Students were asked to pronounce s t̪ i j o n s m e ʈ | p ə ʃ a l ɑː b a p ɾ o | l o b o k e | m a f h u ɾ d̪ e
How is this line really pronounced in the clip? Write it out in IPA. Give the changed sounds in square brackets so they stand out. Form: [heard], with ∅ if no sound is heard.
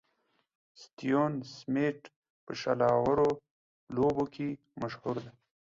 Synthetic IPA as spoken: s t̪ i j o n s m e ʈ | p ə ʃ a l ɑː [w] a [∅] ɾ o | l o b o k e | m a [ʃ] h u ɾ d̪ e